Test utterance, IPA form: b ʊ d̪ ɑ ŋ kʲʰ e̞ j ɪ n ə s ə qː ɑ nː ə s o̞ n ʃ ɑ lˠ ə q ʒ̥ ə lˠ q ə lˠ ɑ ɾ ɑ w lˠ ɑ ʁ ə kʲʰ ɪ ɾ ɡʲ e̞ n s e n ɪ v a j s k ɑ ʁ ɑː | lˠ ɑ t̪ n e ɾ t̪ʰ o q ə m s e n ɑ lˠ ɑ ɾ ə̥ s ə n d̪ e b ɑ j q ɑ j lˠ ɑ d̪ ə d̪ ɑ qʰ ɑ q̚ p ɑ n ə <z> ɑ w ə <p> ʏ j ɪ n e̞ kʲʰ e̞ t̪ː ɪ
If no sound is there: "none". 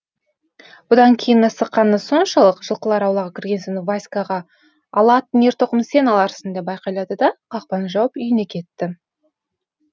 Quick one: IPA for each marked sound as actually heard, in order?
ʒ, p

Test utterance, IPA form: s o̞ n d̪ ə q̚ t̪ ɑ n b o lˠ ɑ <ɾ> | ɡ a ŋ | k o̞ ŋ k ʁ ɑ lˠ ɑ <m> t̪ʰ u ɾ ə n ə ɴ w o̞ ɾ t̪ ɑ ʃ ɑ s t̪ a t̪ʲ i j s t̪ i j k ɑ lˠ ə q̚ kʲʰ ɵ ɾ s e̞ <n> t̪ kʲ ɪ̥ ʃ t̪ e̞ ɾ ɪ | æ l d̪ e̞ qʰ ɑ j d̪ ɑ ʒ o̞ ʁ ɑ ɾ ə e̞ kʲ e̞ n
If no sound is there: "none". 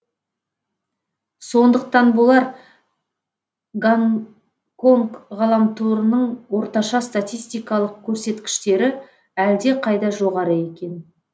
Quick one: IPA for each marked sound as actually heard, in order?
ɾ, m, none

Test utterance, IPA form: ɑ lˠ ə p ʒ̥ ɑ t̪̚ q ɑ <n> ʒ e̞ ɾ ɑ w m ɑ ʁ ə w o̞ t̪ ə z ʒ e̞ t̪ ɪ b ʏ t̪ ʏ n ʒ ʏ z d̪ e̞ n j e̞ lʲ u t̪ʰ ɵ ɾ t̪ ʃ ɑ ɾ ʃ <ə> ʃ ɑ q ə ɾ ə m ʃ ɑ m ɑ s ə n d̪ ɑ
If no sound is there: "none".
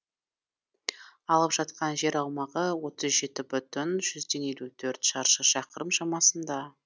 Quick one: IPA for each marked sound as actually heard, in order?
n, ə

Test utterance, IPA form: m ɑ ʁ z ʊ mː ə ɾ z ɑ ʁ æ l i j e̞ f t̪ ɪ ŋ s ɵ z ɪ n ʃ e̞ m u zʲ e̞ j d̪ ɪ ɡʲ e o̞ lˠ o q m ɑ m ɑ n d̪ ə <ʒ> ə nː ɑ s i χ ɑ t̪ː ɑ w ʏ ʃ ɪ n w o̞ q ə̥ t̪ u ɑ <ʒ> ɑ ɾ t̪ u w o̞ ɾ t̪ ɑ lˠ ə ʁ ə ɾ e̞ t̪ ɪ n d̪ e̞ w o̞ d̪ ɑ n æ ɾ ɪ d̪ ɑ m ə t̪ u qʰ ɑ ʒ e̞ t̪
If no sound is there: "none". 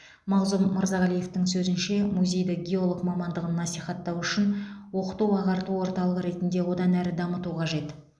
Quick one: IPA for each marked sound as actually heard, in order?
ʁ, ʁ

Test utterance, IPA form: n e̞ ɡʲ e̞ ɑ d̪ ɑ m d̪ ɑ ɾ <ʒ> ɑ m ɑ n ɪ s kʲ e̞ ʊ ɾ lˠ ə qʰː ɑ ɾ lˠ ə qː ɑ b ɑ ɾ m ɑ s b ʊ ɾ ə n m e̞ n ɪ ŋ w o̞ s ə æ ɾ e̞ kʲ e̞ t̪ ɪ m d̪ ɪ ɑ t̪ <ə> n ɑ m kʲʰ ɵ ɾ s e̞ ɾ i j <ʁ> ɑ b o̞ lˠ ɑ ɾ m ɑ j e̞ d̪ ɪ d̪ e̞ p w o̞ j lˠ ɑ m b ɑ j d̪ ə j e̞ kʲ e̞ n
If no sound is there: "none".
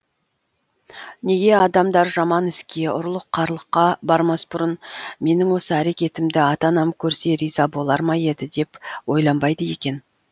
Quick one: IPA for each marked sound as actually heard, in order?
ʒ, ɑ, z

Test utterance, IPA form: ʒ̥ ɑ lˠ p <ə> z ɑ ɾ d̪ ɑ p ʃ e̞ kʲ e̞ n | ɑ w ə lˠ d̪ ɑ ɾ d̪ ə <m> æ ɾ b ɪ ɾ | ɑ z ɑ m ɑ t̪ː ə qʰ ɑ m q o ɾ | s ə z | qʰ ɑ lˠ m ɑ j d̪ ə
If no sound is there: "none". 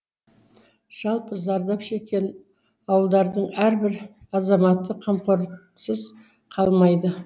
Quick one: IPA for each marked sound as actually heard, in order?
ə, ɴ

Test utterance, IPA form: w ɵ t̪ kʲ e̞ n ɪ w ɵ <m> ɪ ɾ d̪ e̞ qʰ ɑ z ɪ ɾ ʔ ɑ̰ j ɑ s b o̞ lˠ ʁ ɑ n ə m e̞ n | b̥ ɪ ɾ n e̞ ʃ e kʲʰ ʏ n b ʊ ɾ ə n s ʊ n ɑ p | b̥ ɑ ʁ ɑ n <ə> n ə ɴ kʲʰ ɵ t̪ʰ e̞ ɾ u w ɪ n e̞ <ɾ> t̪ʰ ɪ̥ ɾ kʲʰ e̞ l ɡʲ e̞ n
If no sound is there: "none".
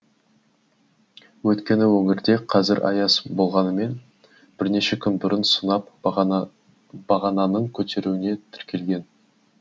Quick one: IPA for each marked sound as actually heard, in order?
ŋ, ɑ, none

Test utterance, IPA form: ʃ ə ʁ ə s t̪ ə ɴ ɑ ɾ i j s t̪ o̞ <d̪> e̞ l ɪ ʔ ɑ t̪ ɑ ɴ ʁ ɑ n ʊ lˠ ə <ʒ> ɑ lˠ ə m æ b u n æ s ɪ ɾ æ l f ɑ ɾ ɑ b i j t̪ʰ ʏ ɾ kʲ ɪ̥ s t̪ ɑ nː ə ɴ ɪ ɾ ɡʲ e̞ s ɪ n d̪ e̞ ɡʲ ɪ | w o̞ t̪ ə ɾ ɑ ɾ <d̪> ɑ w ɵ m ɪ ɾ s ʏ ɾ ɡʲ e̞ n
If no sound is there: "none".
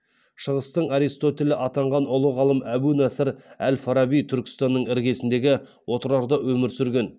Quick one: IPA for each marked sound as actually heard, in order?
t̪, ʁ, d̪

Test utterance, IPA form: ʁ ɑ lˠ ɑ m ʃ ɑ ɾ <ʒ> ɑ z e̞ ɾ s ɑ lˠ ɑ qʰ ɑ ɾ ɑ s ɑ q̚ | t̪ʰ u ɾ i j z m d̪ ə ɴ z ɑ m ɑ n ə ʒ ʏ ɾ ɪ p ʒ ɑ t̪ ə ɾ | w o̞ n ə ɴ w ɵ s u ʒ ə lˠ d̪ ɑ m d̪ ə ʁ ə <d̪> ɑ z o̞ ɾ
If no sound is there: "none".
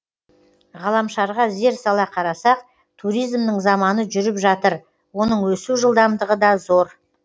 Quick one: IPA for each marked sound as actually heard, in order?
ʁ, d̪

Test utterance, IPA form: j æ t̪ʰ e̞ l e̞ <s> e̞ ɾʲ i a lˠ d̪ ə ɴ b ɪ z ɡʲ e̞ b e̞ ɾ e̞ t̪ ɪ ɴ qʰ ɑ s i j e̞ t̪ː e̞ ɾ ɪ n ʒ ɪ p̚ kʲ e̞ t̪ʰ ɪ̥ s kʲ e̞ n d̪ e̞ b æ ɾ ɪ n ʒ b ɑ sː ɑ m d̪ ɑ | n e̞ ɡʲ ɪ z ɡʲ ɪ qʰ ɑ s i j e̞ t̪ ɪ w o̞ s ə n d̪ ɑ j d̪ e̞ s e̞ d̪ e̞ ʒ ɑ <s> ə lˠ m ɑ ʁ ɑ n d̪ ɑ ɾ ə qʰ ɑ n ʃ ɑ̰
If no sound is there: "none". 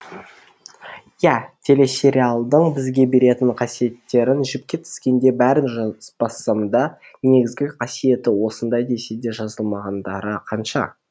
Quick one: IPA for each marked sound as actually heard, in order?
s, z

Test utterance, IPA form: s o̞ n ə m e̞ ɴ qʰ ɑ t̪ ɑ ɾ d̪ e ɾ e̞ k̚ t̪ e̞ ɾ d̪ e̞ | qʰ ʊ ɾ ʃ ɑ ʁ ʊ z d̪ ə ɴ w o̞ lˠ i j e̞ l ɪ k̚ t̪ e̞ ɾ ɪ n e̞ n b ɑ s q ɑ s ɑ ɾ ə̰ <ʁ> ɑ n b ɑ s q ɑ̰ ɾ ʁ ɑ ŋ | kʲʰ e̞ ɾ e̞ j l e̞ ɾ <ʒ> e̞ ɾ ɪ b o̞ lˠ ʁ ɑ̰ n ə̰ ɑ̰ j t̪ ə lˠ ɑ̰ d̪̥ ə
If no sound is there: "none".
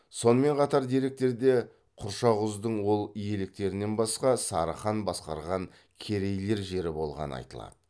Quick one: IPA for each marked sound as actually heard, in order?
χ, ʒ

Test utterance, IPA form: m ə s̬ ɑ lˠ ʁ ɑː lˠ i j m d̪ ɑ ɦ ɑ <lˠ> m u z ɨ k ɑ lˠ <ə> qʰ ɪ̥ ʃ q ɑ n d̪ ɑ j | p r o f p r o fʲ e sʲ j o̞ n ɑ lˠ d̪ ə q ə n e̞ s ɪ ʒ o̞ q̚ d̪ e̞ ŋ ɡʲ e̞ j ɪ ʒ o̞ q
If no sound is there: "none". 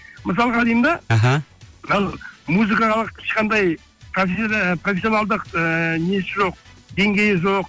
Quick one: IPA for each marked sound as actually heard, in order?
lˠ, ə

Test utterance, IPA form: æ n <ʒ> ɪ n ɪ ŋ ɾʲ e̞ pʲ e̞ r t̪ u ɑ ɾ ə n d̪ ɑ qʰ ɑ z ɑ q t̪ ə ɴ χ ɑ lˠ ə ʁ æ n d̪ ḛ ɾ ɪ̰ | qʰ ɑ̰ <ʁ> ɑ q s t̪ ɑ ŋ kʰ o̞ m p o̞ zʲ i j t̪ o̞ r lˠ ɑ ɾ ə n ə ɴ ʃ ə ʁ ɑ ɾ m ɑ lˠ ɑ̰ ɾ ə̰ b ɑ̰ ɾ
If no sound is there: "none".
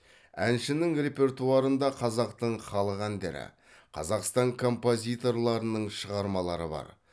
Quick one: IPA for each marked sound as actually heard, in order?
ʃ, z

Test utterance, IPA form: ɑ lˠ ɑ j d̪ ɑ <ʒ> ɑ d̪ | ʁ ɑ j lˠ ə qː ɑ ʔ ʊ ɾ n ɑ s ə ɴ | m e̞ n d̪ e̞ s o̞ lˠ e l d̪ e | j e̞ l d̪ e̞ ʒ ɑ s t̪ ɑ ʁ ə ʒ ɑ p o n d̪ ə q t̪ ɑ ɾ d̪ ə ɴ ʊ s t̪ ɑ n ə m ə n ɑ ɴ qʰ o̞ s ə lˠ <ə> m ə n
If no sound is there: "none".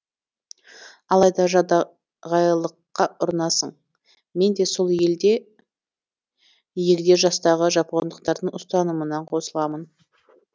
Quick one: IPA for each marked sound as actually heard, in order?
ʒ, ɑ

